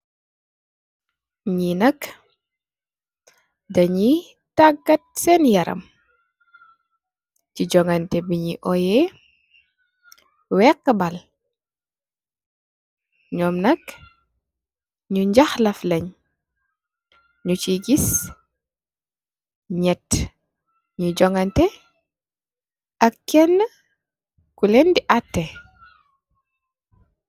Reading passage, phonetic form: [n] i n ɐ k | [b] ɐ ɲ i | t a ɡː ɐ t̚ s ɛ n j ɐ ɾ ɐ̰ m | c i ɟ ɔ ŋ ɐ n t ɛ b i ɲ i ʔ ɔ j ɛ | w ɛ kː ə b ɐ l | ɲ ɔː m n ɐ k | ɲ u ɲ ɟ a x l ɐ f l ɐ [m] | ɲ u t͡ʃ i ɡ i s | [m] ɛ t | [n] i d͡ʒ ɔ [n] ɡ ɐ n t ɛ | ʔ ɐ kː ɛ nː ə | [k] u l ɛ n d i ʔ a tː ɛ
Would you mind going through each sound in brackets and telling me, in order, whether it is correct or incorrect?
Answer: incorrect: ɲ, incorrect: d, incorrect: ɲ, incorrect: ɲ, incorrect: ɲ, incorrect: ŋ, correct

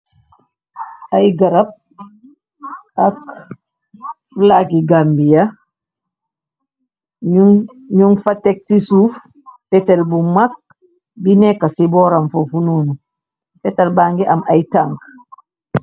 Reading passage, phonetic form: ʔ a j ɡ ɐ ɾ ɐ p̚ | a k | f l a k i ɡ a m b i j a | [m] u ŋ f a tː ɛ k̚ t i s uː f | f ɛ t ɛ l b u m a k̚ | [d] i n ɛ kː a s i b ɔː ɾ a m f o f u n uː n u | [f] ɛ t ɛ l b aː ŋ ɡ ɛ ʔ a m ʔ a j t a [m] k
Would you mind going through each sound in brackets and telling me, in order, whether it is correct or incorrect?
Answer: incorrect: ɲ, incorrect: b, correct, incorrect: ŋ

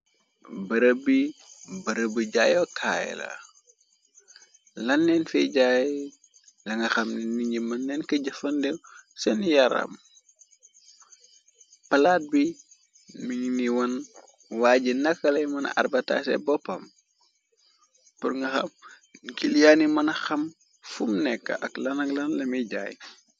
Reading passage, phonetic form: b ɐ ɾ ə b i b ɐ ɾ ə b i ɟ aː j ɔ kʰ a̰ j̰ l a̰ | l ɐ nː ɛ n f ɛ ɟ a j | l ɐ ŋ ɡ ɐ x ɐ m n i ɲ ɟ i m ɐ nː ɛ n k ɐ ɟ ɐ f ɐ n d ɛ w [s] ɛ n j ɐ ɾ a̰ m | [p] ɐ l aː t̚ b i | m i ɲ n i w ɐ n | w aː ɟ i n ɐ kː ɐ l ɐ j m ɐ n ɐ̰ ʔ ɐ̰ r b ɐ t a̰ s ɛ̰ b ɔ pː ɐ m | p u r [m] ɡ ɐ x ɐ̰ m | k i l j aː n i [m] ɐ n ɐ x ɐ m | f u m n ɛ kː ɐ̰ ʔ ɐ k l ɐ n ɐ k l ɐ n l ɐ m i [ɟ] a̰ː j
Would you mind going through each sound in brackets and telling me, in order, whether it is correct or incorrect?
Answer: correct, correct, incorrect: ŋ, correct, correct

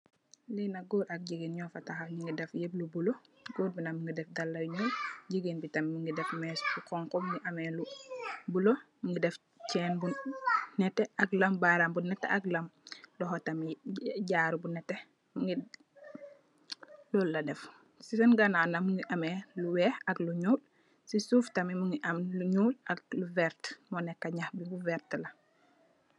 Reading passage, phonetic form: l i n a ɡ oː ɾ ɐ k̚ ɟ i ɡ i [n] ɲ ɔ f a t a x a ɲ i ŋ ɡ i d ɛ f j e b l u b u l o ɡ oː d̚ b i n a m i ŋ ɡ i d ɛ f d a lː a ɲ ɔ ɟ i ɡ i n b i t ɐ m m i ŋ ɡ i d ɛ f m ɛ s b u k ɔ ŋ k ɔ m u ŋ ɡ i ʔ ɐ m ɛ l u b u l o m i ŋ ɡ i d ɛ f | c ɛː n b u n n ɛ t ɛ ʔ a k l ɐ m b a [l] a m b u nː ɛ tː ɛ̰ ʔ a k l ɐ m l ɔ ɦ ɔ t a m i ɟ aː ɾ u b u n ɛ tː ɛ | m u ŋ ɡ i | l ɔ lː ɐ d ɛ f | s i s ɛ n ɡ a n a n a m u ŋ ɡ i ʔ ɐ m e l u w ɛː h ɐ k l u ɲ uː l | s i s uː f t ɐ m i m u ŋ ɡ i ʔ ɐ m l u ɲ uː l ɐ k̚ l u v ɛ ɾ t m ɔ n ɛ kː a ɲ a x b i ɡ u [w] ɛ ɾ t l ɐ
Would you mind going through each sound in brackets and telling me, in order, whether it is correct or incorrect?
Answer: correct, incorrect: ɾ, incorrect: v

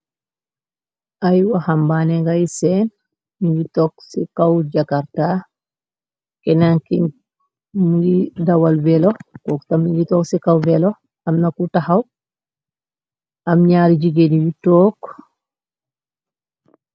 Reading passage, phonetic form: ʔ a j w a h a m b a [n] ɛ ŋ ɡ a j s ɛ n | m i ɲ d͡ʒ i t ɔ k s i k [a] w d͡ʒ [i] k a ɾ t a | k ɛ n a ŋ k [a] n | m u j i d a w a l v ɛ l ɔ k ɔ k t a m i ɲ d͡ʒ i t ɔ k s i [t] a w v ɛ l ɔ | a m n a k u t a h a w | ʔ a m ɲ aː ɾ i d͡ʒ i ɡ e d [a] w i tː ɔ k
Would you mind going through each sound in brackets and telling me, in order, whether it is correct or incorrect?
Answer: correct, correct, incorrect: a, incorrect: i, incorrect: k, incorrect: i

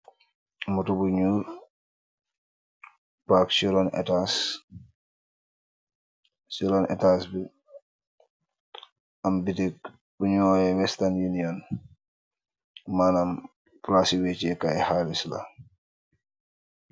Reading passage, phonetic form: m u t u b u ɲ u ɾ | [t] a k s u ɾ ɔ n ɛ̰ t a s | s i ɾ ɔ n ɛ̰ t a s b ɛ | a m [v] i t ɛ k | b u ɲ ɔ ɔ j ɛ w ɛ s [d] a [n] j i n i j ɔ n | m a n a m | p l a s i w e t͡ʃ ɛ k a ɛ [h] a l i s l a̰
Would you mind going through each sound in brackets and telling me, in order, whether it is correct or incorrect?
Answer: incorrect: p, incorrect: b, incorrect: t, correct, correct

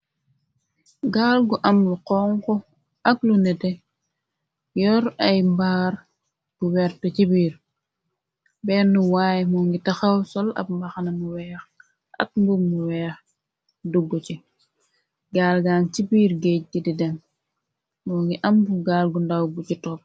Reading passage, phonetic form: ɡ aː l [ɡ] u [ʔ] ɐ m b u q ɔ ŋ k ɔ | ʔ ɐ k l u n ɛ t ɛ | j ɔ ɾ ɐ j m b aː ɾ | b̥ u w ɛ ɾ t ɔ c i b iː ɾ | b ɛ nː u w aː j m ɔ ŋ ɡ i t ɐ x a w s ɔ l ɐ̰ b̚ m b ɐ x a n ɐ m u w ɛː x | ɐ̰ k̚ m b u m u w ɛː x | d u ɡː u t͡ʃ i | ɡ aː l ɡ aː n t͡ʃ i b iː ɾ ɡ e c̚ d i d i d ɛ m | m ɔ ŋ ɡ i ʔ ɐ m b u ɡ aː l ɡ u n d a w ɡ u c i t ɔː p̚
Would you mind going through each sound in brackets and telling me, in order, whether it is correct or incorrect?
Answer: correct, correct

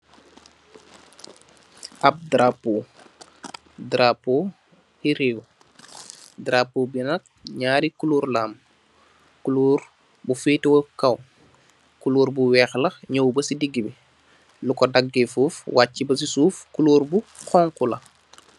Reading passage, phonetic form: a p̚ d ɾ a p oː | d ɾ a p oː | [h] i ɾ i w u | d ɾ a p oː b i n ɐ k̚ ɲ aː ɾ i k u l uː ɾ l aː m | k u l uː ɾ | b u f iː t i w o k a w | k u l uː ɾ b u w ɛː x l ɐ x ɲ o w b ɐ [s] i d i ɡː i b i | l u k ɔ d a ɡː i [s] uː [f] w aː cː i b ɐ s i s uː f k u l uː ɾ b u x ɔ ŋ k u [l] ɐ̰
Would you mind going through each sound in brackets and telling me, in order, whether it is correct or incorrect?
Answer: correct, correct, incorrect: f, correct, correct

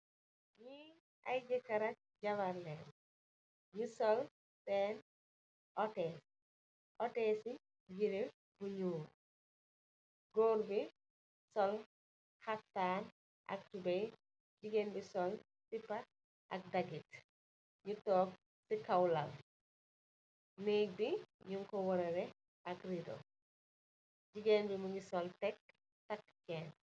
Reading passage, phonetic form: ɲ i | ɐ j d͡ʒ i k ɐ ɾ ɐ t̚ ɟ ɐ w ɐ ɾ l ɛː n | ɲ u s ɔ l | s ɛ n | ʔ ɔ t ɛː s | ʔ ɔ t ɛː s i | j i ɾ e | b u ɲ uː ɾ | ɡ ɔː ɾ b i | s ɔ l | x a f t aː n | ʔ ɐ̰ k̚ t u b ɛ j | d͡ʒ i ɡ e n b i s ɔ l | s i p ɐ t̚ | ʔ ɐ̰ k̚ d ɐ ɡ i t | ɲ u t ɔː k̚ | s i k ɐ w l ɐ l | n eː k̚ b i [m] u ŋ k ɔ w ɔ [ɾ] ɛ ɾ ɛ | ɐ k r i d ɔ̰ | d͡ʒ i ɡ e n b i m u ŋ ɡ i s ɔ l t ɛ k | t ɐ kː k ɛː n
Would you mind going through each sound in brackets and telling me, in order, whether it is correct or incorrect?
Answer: incorrect: ɲ, correct

